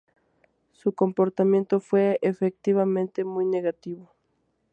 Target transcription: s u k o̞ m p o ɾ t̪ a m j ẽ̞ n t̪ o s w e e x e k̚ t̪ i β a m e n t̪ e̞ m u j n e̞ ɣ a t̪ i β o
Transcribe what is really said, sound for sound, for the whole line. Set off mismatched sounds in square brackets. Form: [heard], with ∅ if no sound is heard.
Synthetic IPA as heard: s u k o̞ m p o ɾ t̪ a m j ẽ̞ n t̪ o [f] w e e [f] e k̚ t̪ i β a m [ẽ] n t̪ e̞ m u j n e̞ ɣ a t̪ i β o